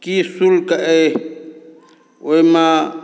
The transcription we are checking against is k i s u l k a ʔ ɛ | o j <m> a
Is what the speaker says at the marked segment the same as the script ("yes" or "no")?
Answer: yes